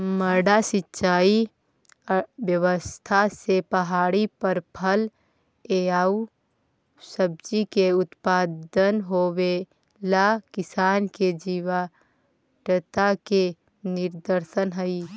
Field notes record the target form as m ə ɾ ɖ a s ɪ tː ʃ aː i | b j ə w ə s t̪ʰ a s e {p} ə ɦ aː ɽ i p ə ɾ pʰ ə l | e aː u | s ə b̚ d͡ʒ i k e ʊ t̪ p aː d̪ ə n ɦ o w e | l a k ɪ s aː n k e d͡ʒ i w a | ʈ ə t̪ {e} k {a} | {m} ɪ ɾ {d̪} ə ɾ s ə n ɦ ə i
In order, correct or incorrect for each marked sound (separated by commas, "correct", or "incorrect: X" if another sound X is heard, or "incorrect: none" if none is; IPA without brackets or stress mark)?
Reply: correct, incorrect: a, incorrect: e, incorrect: n, correct